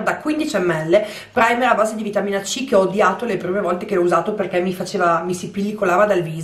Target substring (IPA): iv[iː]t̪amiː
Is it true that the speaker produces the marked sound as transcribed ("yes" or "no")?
no